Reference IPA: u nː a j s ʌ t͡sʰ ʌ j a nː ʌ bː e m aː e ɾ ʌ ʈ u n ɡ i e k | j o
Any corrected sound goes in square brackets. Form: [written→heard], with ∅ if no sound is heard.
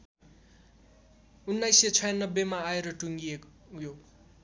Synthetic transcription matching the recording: u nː a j s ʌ t͡sʰ ʌ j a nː ʌ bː e m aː e ɾ ʌ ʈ u [n→ŋ] ɡ i e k | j o